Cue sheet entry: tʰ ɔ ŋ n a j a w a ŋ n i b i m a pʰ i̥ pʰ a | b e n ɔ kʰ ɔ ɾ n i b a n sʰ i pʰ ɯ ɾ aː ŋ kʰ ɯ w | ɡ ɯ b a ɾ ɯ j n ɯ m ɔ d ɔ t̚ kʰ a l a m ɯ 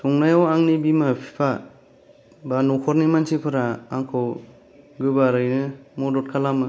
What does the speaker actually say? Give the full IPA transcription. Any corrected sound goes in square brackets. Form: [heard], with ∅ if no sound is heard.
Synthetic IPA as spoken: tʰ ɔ ŋ n a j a w a ŋ n i b i m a pʰ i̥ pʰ a | b [a] n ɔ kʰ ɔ ɾ n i [m] a n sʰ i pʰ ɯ ɾ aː ŋ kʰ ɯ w | ɡ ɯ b a ɾ ɯ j n ɯ m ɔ d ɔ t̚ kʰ a l a m ɯ